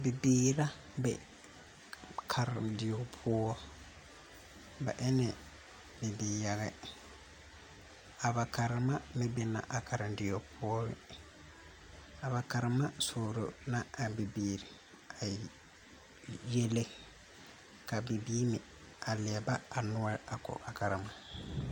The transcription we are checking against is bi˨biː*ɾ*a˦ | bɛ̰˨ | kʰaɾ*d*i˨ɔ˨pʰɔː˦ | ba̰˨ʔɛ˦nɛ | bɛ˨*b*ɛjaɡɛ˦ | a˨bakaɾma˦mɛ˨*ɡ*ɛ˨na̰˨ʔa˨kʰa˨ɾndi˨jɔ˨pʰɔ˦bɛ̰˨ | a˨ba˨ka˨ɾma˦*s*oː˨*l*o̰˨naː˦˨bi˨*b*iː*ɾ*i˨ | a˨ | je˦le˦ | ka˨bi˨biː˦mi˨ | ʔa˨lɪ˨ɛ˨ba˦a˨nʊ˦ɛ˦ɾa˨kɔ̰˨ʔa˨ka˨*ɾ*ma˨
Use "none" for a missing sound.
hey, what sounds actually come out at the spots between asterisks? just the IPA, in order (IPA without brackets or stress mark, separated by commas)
ɾ, d, b, b, s, ɾ, b, ɾ, ɾ